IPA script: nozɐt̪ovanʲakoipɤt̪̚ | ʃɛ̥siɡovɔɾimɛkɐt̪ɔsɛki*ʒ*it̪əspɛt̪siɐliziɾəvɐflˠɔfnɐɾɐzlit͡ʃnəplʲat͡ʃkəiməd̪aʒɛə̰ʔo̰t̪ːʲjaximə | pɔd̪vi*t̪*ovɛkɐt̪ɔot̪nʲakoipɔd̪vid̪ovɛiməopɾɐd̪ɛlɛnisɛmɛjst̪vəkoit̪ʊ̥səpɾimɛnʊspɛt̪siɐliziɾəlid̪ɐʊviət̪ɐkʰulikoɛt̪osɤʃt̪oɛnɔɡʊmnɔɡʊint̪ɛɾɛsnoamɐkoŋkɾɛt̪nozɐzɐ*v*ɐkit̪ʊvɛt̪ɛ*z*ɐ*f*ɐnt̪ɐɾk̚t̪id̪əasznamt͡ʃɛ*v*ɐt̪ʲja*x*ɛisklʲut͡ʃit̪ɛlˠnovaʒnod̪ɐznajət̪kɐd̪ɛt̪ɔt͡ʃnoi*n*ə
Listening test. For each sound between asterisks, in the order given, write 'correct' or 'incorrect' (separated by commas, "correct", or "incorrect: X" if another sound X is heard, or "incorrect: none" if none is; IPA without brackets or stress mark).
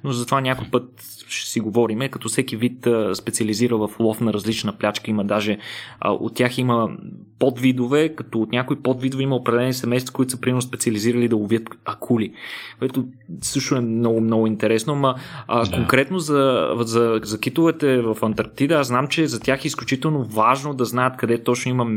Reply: incorrect: v, incorrect: d̪, incorrect: z, incorrect: v, correct, incorrect: z, correct, incorrect: m